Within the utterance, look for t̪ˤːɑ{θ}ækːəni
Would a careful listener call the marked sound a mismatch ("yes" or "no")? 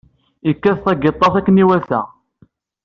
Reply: no